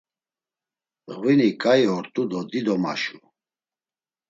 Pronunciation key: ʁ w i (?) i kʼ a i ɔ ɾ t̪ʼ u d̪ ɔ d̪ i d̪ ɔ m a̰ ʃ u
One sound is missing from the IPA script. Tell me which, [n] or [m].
n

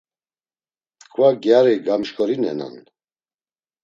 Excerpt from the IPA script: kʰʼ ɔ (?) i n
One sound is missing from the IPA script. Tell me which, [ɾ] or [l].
ɾ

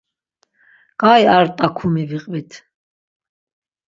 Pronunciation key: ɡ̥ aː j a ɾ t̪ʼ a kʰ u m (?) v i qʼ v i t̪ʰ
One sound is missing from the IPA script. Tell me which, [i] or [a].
i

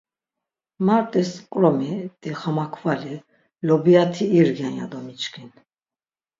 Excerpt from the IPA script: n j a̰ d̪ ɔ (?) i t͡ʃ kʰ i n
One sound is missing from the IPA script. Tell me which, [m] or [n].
m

